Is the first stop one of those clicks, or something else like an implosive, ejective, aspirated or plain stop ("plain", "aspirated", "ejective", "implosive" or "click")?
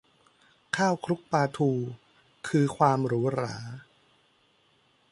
aspirated